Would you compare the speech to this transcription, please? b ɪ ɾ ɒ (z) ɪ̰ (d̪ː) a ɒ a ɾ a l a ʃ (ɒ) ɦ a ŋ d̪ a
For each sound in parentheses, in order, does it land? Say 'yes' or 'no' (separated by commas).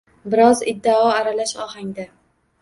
yes, yes, yes